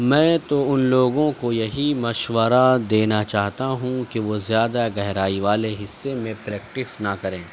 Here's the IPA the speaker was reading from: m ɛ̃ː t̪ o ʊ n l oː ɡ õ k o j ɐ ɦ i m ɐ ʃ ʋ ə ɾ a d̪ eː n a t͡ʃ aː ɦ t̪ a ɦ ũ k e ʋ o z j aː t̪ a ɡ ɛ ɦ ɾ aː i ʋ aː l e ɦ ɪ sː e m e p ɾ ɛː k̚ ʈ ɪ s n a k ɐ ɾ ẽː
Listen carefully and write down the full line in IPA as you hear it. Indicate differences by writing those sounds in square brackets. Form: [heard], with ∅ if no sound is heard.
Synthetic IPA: m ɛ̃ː t̪ o ʊ n l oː ɡ õ k o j ɐ ɦ i m ɐ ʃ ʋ ə ɾ a d̪ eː n a t͡ʃ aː ɦ t̪ a ɦ ũ k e ʋ o z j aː [d̪] a ɡ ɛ ɦ ɾ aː i ʋ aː l e ɦ ɪ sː e m [ẽ] p ɾ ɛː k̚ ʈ ɪ s n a k ɐ ɾ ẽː